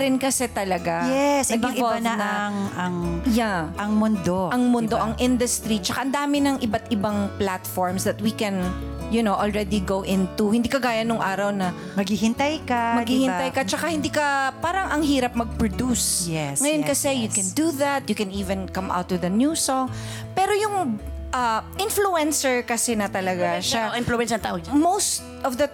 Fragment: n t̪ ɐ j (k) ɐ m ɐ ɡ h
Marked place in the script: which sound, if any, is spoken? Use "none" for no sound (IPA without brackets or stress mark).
k